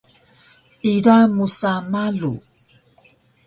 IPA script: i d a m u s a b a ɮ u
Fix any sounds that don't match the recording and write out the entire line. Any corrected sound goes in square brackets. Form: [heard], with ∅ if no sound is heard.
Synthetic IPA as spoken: i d a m u s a [m] a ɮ u